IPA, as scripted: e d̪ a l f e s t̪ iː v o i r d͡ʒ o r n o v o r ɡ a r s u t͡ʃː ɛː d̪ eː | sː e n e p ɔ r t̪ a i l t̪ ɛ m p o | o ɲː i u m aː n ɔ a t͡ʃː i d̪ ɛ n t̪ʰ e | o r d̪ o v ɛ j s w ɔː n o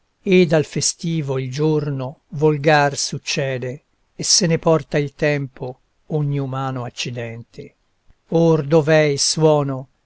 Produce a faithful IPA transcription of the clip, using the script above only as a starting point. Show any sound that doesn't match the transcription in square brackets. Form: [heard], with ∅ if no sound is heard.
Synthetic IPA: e d̪ a l f e s t̪ iː v o i [l] d͡ʒ o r n o v o [l] ɡ a r s u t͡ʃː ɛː d̪ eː | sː e n e p ɔ r t̪ a i l t̪ ɛ m p o | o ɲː i u m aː n [o] a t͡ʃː i d̪ ɛ n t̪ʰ e | o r d̪ o v ɛ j s w ɔː n o